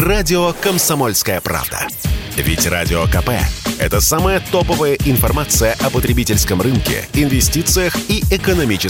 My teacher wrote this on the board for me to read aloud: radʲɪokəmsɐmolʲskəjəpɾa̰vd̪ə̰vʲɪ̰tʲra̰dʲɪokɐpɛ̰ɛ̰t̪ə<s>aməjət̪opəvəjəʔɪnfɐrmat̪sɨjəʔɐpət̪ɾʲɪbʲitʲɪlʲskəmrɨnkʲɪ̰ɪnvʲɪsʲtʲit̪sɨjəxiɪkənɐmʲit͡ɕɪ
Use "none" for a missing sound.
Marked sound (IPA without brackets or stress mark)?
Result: s